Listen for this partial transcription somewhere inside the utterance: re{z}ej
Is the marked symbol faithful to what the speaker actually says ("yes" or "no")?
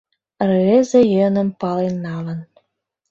yes